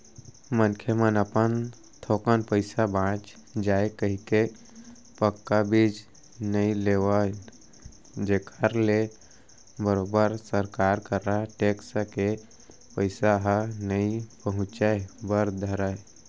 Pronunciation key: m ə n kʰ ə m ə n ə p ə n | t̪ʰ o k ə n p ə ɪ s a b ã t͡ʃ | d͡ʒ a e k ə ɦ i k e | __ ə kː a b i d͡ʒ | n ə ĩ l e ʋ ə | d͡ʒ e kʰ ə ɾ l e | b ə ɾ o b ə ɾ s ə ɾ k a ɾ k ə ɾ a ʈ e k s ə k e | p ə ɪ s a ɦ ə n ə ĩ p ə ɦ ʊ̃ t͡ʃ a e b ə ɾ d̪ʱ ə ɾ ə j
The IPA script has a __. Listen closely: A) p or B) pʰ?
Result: A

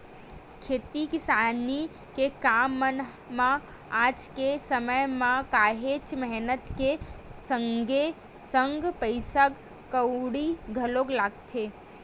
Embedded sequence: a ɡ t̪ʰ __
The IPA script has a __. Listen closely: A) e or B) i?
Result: A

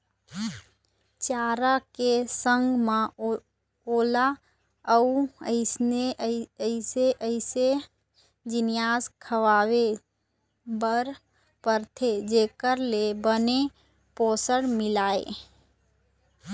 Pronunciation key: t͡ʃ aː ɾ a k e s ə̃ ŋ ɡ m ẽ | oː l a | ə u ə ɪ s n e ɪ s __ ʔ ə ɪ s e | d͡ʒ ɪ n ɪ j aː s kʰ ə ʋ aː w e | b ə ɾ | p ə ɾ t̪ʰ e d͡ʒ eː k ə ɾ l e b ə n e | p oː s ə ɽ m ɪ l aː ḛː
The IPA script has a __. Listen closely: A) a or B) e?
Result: B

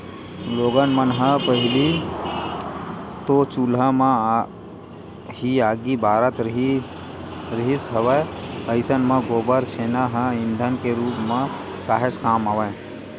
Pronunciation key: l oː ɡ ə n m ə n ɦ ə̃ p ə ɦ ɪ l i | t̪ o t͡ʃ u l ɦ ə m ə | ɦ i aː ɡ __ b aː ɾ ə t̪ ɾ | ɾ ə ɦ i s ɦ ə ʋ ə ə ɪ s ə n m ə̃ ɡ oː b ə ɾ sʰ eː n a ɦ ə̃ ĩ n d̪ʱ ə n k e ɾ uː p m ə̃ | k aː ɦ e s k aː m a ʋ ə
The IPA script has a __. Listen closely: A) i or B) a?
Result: A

